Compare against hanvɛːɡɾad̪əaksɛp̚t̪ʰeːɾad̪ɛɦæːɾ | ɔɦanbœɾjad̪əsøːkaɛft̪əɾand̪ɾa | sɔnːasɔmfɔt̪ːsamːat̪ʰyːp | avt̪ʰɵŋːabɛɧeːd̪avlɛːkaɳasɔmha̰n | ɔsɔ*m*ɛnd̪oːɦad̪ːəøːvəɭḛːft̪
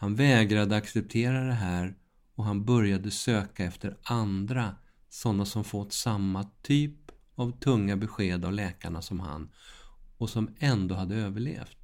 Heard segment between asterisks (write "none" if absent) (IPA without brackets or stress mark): m